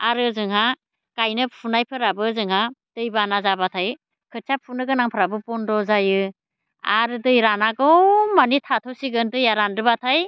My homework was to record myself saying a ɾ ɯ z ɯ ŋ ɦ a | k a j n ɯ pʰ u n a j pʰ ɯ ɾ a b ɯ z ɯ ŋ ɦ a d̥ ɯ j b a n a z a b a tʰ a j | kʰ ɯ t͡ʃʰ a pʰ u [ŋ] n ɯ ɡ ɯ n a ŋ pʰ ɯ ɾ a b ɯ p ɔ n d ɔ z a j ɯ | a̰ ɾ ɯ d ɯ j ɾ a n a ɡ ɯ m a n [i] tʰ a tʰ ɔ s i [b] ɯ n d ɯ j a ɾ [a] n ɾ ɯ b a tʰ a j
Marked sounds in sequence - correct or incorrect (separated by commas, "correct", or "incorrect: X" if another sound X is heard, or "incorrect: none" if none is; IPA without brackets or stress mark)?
incorrect: none, correct, incorrect: ɡ, correct